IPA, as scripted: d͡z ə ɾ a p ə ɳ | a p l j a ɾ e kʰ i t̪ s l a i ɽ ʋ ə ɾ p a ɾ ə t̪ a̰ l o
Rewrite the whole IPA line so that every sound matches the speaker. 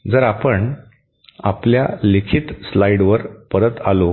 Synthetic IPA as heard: d͡z ə ɾ a p ə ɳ | a p l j a l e kʰ i t̪ s l a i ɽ ʋ ə ɾ p ə ɾ ə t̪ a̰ l o